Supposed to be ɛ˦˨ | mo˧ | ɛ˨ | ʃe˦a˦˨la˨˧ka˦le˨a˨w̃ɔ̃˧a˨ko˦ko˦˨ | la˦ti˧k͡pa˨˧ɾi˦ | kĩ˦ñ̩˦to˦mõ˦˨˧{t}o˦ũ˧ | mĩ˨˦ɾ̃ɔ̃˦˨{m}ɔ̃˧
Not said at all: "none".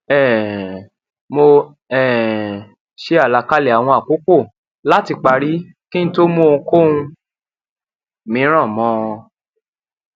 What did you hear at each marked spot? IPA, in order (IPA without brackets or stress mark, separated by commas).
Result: k, m